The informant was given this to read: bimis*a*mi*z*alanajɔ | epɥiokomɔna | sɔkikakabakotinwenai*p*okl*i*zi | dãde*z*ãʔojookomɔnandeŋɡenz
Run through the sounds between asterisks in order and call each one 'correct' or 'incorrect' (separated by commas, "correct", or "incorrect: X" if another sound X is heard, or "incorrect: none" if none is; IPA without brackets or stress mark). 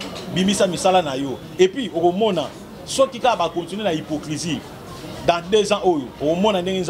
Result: correct, incorrect: s, correct, correct, correct